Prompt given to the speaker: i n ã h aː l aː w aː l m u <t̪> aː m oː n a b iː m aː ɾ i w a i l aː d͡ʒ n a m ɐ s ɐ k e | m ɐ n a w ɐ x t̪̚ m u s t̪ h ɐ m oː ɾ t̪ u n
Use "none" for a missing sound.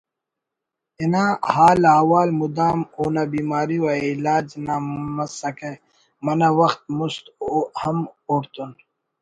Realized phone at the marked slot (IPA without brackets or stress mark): d̪